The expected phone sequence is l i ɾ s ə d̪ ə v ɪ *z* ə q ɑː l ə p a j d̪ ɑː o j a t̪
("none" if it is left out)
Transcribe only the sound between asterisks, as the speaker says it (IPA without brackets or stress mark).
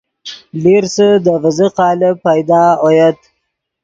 z